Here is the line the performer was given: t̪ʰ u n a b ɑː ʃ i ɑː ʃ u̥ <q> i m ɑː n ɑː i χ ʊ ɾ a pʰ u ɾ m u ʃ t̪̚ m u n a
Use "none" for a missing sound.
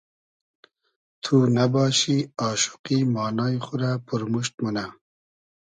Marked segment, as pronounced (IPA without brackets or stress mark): q